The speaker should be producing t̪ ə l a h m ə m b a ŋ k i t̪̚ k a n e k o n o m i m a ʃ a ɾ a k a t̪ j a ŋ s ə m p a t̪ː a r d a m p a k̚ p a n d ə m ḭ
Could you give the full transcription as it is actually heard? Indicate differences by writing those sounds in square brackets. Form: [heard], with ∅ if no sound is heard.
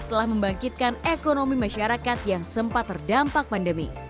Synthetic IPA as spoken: t̪ ə l a h m ə m b a ŋ k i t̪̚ k a n e k o n o m i m a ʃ a ɾ a k a t̪ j a ŋ s ə m p a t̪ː [ə] r d a m p a k̚ p a n d ə m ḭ